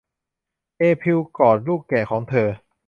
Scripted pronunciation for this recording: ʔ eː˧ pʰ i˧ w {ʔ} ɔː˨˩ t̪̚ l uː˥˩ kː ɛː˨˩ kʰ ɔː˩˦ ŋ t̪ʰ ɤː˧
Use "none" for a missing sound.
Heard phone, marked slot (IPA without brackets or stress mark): k